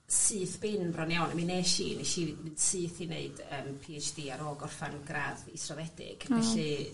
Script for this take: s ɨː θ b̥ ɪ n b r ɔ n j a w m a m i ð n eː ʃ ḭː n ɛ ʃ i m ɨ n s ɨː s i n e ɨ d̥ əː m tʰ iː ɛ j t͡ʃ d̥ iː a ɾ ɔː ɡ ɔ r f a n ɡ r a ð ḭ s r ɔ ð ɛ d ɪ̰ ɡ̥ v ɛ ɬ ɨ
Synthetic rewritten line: s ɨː θ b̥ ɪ n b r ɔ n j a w n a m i n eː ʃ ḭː n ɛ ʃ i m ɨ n s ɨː θ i n e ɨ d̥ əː m pʰ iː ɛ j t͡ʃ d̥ iː a ɾ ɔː ɡ ɔ r f a n ɡ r a ð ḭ s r ɔ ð ɛ d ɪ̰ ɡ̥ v ɛ ɬ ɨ